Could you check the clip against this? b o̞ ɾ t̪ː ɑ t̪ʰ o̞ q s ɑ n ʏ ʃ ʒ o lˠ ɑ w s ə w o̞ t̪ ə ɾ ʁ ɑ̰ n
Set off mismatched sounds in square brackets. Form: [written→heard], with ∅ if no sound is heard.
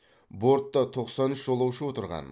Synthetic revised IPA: b o̞ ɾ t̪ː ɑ t̪ʰ o̞ q s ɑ n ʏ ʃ ʒ o lˠ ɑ w [s→ʃ] ə w o̞ t̪ ə ɾ ʁ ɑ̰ n